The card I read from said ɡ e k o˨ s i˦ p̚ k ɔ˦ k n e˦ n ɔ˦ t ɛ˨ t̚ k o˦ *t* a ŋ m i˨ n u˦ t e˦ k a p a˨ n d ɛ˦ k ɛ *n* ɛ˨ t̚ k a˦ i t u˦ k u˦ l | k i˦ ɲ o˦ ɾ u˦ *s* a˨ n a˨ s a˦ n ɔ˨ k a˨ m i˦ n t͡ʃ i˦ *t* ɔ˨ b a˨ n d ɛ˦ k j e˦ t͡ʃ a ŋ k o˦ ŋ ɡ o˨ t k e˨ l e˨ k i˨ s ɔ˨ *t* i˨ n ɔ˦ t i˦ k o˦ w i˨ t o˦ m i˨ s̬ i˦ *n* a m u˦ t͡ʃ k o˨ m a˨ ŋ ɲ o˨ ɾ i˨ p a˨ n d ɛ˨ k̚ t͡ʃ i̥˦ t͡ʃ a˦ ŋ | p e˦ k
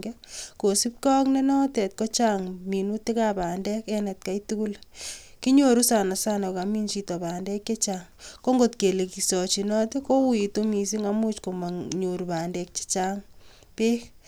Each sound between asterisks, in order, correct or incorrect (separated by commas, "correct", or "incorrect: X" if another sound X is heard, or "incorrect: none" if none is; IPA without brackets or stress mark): incorrect: t͡ʃ, correct, correct, correct, incorrect: t͡ʃ, incorrect: ŋ